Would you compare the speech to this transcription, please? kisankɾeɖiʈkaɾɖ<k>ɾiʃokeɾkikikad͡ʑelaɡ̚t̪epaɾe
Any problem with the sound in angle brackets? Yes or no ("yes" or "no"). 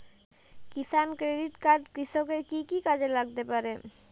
no